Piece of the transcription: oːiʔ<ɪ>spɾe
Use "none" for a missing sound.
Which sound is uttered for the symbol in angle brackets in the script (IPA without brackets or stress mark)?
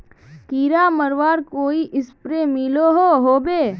ɪ